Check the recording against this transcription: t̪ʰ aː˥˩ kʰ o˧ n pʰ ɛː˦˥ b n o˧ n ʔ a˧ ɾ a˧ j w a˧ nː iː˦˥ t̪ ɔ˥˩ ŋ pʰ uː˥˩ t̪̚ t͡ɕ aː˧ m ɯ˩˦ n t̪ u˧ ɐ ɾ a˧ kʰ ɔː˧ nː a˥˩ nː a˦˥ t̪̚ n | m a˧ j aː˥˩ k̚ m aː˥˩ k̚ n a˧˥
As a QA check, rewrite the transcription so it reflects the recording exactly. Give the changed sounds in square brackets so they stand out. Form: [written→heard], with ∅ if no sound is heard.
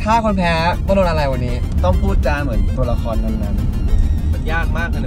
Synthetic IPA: t̪ʰ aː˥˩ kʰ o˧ n pʰ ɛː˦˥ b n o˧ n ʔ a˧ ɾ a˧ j w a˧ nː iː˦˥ t̪ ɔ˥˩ ŋ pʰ uː˥˩ t̪̚ t͡ɕ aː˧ m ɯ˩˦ n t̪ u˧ ɐ [ɾ→l] a˧ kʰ ɔː˧ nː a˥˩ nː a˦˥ [t̪̚→∅] n | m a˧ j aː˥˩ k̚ m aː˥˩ k̚ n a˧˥